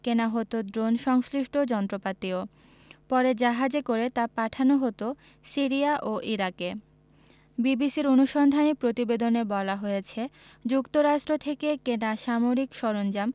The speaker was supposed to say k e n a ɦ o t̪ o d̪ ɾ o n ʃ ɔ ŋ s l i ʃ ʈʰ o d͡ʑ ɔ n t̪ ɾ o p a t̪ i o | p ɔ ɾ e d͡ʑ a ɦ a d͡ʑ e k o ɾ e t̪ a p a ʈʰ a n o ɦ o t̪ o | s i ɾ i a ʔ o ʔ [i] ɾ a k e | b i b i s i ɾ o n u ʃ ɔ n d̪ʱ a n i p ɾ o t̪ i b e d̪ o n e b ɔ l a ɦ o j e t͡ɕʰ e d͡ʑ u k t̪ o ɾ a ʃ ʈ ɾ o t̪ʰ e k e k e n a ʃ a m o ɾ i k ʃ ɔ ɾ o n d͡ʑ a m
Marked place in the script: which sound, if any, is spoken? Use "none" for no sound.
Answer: i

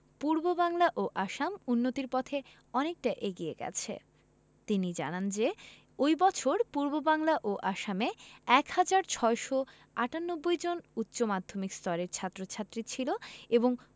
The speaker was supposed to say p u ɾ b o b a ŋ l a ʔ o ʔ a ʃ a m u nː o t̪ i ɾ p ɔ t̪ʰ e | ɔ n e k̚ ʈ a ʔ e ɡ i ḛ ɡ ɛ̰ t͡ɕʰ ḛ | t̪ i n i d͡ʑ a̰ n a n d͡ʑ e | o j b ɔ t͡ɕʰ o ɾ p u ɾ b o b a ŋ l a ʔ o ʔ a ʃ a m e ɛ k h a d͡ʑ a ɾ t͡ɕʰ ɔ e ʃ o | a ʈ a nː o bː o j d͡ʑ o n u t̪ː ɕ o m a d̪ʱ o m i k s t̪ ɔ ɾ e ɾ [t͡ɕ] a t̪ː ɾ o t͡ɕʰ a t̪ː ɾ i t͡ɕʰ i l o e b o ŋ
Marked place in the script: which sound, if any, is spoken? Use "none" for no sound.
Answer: t͡ɕʰ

